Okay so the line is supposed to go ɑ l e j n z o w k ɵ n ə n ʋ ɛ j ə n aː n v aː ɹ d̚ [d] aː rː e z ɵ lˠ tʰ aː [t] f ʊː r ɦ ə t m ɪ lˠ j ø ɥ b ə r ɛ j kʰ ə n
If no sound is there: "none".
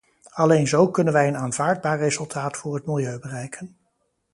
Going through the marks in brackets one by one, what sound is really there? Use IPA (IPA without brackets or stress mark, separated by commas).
b, t